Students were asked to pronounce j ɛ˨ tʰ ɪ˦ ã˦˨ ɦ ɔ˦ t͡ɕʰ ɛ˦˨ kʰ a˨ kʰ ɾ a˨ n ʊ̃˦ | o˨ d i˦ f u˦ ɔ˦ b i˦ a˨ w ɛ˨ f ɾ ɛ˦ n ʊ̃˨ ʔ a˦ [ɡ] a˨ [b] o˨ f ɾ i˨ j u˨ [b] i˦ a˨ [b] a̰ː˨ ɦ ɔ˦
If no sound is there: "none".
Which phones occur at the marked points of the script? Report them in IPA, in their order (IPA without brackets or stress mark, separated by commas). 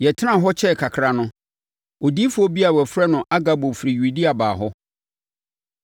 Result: ɡ, b, d, b